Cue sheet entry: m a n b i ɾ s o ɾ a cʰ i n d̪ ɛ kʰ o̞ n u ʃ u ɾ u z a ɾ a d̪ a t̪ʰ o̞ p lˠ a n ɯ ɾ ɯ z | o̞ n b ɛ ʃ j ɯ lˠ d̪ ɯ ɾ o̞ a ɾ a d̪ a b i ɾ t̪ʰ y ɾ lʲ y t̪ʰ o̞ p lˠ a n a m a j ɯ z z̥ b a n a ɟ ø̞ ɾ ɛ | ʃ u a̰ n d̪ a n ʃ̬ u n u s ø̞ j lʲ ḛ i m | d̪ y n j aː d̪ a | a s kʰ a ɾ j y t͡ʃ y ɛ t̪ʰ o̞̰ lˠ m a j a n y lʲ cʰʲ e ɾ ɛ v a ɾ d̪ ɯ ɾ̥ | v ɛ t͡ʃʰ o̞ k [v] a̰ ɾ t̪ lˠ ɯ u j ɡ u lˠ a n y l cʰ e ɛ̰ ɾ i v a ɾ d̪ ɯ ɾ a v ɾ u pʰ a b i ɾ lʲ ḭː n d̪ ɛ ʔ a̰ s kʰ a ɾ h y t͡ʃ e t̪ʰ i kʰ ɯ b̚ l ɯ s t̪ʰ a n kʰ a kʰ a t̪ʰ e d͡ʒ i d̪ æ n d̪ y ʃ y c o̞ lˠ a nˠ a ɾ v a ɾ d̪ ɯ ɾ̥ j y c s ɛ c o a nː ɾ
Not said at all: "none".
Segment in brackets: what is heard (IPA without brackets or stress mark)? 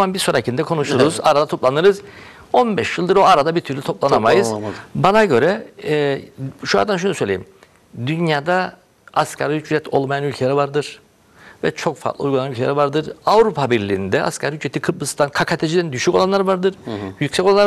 f